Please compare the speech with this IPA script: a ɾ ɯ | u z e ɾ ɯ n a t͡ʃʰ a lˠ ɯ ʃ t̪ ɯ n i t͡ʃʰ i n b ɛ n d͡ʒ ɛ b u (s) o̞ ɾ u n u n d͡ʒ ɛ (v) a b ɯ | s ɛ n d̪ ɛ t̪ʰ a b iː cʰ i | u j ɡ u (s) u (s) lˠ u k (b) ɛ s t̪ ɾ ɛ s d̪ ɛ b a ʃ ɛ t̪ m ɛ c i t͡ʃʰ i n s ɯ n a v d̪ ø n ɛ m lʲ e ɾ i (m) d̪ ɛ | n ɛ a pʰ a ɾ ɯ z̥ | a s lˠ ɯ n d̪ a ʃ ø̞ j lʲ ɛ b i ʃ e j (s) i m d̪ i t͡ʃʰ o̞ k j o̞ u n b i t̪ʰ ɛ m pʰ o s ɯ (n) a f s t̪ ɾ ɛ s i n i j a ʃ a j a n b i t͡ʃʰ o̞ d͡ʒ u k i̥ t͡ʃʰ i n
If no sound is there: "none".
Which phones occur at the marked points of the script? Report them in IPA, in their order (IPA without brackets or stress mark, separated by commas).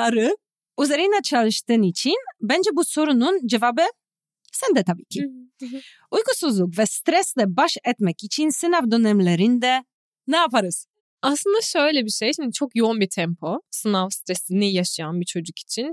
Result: s, v, s, z, v, n, ʃ, n